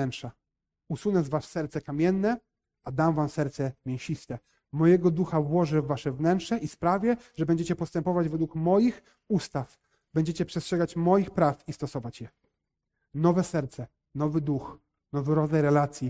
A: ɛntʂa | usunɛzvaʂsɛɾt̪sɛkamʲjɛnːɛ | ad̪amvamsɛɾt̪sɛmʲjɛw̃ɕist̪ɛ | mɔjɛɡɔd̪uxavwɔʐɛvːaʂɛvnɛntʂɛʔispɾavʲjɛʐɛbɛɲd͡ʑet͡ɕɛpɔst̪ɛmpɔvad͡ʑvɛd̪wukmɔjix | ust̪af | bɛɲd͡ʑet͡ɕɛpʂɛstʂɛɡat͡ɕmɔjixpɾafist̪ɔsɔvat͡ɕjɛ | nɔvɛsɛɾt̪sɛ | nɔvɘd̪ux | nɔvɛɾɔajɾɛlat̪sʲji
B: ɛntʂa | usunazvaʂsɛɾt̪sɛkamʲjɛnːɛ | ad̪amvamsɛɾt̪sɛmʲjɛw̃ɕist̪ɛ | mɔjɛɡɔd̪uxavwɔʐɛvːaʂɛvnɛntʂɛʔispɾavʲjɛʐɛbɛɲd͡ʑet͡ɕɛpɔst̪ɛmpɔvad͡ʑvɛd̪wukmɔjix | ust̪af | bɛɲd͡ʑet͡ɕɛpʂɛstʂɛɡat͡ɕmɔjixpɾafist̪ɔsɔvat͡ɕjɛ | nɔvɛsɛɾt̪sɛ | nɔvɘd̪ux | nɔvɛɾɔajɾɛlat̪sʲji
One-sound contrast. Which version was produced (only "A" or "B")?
A